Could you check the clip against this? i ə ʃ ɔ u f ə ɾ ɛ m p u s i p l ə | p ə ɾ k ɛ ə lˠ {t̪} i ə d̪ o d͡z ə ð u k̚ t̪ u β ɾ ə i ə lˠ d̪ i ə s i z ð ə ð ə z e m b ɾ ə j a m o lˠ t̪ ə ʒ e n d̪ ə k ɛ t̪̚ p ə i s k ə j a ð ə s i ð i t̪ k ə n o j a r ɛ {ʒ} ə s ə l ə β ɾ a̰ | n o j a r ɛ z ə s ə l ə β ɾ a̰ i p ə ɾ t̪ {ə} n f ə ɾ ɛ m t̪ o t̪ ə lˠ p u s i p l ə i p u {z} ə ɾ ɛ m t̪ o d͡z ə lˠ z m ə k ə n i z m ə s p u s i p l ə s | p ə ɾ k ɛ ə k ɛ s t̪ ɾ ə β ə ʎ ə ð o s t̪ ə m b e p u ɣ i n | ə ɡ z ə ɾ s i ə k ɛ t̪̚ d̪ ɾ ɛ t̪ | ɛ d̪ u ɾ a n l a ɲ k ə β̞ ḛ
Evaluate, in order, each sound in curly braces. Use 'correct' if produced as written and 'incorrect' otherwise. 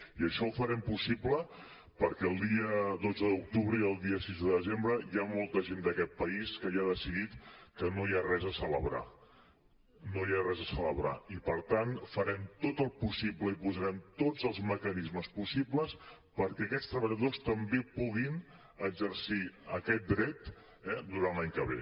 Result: incorrect, incorrect, incorrect, correct

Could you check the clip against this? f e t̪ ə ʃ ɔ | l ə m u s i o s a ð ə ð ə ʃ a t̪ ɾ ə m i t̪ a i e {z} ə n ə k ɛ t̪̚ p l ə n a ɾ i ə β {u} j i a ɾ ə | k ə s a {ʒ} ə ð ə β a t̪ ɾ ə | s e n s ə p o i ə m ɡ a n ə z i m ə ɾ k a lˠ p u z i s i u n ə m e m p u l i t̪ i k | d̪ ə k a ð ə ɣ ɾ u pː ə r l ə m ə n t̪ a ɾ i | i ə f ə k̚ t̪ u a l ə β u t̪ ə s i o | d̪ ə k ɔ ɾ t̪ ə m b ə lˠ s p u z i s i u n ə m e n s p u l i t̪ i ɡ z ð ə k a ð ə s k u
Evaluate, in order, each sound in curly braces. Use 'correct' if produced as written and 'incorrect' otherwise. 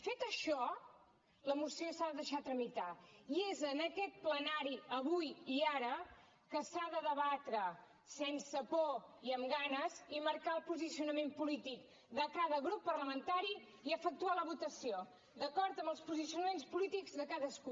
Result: correct, correct, incorrect

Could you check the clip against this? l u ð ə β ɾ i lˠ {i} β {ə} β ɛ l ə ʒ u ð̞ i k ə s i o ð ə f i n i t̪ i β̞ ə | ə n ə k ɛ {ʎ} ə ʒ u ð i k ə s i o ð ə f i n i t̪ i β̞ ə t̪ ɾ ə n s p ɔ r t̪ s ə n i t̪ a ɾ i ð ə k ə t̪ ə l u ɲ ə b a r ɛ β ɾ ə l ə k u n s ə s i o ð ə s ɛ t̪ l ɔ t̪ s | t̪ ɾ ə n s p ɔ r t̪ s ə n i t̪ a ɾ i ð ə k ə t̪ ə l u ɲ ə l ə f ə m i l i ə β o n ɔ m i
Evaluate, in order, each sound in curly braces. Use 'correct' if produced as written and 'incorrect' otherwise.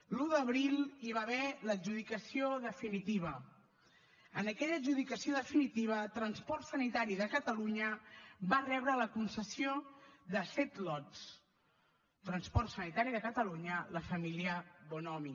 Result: correct, incorrect, correct

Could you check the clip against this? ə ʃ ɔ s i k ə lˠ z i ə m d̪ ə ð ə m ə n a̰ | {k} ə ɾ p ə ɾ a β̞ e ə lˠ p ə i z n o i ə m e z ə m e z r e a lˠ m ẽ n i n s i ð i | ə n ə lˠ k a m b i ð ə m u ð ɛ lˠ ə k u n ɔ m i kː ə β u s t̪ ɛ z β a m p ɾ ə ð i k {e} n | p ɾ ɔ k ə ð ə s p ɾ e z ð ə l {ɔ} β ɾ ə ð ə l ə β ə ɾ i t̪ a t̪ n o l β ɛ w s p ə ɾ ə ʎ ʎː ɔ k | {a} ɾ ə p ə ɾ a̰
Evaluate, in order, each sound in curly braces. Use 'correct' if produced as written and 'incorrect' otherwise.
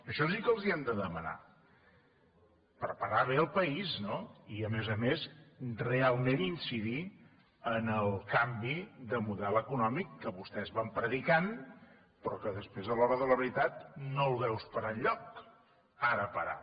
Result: incorrect, incorrect, correct, correct

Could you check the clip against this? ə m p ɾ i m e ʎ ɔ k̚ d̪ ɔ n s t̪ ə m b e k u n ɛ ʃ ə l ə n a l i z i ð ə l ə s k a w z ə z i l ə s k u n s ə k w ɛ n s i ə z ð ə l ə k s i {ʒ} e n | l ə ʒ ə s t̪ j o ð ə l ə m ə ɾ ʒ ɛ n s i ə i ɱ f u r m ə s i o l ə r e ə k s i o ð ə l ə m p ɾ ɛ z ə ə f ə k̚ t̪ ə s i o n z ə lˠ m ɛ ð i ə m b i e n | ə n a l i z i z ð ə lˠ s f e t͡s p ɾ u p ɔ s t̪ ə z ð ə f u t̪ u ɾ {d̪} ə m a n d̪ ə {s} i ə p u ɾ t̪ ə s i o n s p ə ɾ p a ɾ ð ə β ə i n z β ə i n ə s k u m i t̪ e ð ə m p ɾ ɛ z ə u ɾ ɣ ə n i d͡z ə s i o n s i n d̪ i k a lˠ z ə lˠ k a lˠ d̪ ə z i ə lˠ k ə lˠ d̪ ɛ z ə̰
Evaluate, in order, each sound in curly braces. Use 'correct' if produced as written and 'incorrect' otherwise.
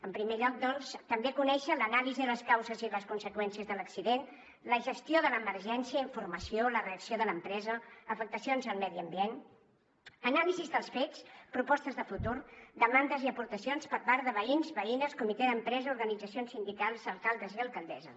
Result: incorrect, correct, incorrect

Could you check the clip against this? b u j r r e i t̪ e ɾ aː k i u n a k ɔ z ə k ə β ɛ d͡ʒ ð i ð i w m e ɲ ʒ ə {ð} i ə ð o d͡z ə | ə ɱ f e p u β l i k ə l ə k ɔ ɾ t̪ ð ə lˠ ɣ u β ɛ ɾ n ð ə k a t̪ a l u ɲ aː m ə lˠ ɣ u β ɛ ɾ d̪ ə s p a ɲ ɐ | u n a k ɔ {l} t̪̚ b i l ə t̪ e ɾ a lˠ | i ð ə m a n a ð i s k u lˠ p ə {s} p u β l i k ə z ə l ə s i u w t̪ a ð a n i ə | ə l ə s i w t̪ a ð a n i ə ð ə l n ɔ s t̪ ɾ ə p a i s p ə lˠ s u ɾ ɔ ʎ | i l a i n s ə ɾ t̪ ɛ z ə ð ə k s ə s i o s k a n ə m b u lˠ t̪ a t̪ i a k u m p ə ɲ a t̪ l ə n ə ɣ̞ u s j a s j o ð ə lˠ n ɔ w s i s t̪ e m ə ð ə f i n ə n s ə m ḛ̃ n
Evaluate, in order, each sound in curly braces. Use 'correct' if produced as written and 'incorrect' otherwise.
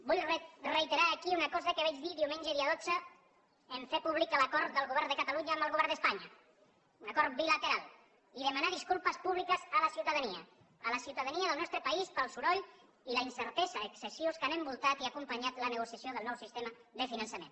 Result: correct, incorrect, correct

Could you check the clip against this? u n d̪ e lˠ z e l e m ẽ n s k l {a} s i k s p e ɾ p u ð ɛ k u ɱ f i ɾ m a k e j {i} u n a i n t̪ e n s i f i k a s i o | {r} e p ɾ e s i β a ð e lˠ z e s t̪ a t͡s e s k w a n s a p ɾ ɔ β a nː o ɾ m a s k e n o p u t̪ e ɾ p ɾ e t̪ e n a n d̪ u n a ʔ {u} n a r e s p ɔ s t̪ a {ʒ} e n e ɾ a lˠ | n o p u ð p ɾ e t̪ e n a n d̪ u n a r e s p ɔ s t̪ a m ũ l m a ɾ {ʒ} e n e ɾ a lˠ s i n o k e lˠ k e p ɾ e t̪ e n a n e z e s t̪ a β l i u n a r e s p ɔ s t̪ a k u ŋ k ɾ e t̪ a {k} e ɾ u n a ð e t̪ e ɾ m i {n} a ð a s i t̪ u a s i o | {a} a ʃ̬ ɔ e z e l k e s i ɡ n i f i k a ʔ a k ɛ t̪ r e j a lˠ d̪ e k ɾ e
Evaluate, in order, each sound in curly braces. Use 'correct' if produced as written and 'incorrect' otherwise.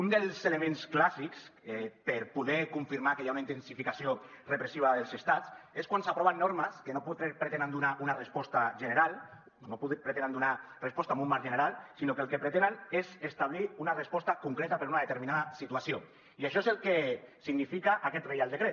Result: correct, incorrect, correct, correct, correct, correct, incorrect, correct, incorrect

